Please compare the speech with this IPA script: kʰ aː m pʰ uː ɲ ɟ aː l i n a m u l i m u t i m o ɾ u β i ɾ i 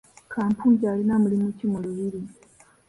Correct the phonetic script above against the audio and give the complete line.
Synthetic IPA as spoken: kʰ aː m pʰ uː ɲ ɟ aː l i n a m u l i m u c i m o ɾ u β i ɾ i